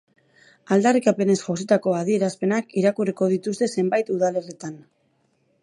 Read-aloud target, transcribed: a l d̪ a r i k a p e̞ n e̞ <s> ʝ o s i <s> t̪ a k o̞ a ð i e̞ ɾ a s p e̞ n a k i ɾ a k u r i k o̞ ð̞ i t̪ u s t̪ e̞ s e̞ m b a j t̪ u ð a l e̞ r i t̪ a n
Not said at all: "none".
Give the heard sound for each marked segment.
s, none

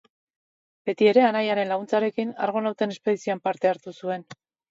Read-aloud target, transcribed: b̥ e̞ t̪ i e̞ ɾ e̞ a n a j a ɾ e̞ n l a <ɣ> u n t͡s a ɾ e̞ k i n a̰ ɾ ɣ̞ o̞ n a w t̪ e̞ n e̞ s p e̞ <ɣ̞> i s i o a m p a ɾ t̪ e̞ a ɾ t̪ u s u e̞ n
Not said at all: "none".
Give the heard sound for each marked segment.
ɣ, ð̞

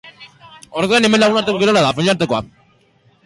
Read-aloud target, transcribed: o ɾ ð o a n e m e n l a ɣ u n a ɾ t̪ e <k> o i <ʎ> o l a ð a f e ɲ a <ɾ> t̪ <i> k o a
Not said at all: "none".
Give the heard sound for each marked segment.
k, ɾ, ɾ, e

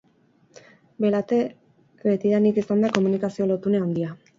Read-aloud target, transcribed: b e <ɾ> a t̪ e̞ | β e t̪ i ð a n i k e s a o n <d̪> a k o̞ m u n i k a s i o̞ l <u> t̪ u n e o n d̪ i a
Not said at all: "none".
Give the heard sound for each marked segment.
l, d̪, o

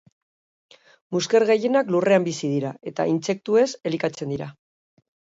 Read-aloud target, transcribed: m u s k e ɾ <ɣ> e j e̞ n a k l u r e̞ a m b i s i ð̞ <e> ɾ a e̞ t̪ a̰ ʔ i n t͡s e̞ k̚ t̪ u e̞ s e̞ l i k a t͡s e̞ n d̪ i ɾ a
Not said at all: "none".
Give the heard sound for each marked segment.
ɣ, i

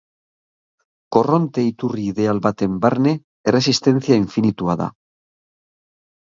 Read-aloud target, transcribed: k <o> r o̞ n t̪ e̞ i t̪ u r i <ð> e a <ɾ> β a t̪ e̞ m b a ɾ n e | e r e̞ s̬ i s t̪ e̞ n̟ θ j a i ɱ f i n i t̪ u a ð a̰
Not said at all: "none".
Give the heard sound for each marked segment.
o, ð, l

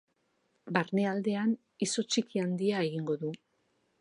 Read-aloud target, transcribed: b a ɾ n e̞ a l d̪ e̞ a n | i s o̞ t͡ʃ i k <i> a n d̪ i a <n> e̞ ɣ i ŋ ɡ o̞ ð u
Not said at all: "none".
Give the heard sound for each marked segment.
i, none

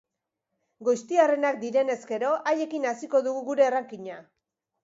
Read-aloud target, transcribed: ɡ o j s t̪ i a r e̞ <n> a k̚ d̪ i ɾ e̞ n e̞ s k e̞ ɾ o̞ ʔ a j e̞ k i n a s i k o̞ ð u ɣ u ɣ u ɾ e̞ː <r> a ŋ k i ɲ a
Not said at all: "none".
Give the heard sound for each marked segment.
n, r

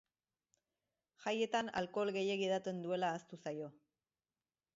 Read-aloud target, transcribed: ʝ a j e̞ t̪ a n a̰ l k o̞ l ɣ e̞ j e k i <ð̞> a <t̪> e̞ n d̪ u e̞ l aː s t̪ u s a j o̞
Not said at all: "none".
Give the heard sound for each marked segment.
ð̞, t̪

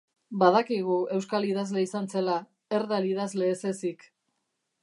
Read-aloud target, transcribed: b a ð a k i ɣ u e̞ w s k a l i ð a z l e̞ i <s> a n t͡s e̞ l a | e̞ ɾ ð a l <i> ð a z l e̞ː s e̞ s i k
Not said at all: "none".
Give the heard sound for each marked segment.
s, i

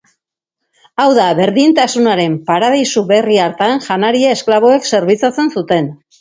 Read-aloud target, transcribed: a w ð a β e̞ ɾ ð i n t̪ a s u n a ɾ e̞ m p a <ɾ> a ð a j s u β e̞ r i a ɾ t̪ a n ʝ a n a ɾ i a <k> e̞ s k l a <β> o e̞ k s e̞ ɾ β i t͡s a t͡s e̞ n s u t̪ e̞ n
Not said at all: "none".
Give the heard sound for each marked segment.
ɾ, none, β

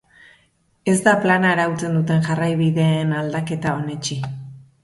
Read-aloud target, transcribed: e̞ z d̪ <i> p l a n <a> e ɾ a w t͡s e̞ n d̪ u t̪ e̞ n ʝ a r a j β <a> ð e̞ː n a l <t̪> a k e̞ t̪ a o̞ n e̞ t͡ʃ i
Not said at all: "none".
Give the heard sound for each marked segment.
a, a, i, d̪

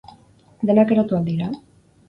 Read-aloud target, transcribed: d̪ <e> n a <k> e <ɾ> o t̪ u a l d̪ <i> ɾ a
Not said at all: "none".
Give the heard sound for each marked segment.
e, k, ɾ, i

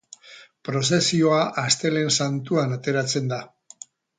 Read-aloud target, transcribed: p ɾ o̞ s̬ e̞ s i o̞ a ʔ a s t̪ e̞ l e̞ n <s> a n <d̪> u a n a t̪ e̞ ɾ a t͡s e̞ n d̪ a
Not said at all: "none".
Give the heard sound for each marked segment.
s, t̪

